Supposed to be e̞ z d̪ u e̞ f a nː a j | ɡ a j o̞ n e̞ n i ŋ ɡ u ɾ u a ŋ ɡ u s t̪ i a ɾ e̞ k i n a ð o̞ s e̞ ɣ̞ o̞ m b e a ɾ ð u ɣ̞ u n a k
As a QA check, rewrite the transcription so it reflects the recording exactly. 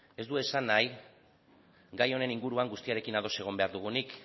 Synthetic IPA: e̞ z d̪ u e̞ s a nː a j | ɡ a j o̞ n e̞ n i ŋ ɡ u ɾ u a ŋ ɡ u s t̪ i a ɾ e̞ k i n a ð o̞ s e̞ ɣ̞ o̞ m b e a ɾ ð u ɣ̞ u n i k

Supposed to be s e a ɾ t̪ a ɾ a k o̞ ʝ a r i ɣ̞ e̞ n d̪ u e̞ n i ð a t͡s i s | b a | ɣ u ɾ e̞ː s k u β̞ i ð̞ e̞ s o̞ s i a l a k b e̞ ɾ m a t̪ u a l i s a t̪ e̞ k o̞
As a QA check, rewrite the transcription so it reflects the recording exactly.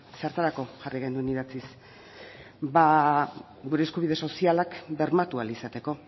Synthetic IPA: s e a ɾ t̪ a ɾ a k o̞ ʝ a r i ɣ̞ e̞ n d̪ u e̞ n i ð a t͡s i s | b a | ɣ u ɾ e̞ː s k u β̞ i ð̞ e̞ s o̞ s i a l a k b e̞ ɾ m a t̪ u a l i s a t̪ e̞ k o̞

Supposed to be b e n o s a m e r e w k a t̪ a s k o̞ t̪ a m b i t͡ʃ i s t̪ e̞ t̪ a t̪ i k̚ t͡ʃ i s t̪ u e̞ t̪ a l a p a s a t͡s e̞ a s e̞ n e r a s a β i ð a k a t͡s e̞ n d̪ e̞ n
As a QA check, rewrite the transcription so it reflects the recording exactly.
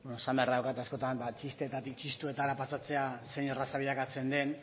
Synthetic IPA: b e n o s a m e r a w k a t̪ a s k o̞ t̪ a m b a t͡ʃ i s t̪ e̞ t̪ a t̪ i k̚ t͡ʃ i s t̪ u e̞ t̪ a l a p a s a t͡s e̞ a s e̞ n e r a s a β i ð a k a t͡s e̞ n d̪ e̞ n

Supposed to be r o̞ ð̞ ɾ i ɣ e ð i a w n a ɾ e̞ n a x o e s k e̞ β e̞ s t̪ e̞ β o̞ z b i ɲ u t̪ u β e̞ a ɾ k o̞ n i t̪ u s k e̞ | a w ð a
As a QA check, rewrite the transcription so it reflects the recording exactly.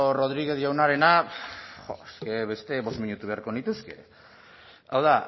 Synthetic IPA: r o̞ ð̞ ɾ i ɣ e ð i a w n a ɾ e̞ n a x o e s k e̞ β e̞ s t̪ e̞ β o̞ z m i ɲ u t̪ u β e̞ a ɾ k o̞ n i t̪ u s k e̞ | a w ð a

